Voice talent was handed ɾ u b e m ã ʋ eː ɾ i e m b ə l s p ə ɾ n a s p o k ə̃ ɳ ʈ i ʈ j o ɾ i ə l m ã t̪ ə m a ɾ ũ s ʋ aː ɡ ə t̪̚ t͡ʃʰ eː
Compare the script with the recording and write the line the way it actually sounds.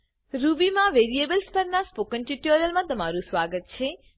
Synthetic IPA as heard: ɾ u b i m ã ʋ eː ɾ i e b ə l s p ə ɾ n a s p o k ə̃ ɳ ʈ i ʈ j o ɾ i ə l m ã t̪ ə m a ɾ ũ s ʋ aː ɡ ə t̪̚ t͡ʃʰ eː